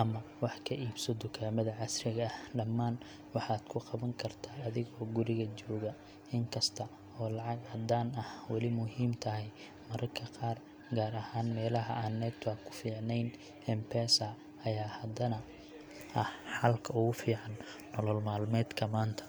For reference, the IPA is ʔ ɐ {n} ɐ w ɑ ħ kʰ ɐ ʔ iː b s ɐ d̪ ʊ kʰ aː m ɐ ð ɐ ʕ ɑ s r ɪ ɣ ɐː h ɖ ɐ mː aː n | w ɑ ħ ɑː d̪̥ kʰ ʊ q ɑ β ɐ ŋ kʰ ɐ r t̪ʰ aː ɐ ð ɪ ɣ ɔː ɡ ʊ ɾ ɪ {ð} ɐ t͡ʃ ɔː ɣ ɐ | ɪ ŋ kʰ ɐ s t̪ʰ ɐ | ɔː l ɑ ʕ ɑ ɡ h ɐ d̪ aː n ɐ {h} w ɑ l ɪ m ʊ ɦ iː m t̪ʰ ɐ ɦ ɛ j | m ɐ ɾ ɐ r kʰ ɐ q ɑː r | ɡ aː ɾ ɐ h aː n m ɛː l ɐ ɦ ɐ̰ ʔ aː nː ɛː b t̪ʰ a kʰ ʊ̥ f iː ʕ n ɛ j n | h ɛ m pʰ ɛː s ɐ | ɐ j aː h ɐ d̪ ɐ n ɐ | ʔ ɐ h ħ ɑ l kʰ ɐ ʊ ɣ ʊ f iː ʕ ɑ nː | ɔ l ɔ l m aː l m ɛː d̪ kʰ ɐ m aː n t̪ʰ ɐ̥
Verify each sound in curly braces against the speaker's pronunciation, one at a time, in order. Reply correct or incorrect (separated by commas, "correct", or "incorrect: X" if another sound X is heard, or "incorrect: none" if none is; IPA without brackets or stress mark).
incorrect: m, incorrect: ɣ, correct